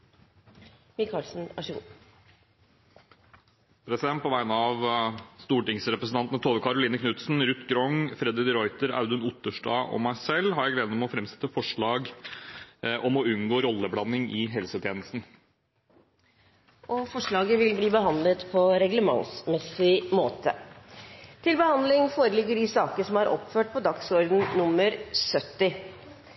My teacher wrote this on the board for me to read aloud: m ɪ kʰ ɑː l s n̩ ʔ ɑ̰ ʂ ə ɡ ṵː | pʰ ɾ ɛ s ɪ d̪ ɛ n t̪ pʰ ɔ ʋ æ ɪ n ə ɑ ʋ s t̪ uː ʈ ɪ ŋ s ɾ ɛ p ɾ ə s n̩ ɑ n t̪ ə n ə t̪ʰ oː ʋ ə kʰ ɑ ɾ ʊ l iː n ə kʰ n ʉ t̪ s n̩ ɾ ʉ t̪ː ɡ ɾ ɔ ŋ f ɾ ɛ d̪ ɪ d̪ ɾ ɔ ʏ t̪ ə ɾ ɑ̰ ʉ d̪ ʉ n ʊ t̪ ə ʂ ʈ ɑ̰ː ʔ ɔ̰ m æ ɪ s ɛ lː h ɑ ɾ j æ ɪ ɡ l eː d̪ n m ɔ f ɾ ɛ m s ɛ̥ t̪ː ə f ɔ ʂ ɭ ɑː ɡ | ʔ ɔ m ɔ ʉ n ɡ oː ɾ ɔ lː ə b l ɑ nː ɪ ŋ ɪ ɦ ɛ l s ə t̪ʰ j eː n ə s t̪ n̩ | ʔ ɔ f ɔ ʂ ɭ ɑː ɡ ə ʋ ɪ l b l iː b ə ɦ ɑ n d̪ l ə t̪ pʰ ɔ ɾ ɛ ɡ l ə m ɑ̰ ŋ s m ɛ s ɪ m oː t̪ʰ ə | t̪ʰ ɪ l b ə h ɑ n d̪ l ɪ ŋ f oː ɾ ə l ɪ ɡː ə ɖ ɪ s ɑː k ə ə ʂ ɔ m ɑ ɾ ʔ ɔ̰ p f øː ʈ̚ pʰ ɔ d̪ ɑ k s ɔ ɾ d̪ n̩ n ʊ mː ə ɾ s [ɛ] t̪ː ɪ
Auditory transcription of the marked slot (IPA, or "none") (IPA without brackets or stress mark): œ